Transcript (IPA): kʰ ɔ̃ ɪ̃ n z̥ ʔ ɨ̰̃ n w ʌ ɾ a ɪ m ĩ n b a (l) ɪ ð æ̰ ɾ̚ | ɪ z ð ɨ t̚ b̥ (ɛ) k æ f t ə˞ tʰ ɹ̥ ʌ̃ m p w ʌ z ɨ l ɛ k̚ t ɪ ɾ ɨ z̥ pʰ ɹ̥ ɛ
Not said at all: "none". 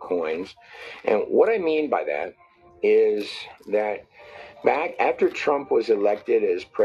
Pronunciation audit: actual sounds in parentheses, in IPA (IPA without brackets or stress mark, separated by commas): none, æ